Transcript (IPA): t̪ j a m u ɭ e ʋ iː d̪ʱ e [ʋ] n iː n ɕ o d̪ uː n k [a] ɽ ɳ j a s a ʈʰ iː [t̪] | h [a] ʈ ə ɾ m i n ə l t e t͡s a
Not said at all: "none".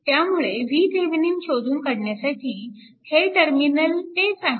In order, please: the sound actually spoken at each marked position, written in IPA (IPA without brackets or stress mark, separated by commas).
ʋ, ə, none, e